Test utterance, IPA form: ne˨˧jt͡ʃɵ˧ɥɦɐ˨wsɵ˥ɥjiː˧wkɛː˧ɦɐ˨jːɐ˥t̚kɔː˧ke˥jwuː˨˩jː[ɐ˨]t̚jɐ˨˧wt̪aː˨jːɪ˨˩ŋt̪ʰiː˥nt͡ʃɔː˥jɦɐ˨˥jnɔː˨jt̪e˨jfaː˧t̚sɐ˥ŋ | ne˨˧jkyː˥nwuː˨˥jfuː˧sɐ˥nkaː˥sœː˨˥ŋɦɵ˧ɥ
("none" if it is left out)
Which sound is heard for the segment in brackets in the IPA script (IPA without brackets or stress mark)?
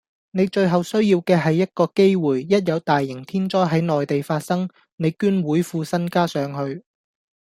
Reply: ɐ˥